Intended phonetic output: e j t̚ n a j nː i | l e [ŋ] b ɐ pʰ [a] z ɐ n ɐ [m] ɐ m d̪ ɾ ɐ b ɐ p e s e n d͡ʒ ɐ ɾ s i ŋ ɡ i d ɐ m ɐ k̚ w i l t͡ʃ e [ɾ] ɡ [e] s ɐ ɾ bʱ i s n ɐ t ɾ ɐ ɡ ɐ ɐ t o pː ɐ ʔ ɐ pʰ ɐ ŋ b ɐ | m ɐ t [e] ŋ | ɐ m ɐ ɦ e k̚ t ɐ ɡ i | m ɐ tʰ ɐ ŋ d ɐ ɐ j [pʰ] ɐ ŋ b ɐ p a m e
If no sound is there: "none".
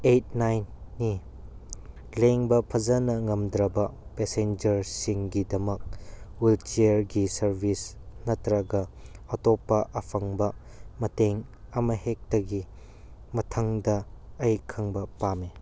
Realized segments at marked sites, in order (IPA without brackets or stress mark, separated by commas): ŋ, ɐ, ŋ, ɾ, i, e, kʰ